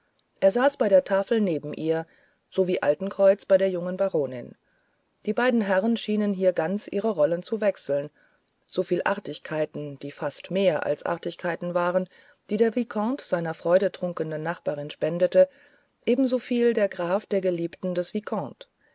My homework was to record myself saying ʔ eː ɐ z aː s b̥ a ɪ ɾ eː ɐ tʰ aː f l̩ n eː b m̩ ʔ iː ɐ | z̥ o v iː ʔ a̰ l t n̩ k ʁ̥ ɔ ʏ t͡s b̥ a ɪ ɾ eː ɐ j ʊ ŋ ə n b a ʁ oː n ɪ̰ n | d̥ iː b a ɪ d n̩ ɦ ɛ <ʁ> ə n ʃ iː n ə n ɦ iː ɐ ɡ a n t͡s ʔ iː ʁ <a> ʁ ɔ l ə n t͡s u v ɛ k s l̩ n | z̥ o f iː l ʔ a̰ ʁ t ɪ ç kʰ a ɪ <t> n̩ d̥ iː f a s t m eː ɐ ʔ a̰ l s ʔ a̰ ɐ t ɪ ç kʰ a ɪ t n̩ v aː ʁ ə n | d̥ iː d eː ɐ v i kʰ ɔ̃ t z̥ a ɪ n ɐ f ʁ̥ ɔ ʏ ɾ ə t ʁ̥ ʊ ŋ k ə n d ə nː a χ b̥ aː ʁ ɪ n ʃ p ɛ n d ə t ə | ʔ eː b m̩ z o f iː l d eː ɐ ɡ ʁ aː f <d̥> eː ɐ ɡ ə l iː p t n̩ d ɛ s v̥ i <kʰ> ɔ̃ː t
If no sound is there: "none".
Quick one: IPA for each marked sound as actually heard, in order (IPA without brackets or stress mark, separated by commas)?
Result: ʁ, ə, t, d̥, kʰ